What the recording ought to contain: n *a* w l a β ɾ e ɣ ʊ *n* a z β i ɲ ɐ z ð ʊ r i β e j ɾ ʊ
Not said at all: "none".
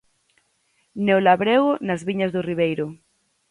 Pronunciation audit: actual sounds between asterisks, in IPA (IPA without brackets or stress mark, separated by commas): e, n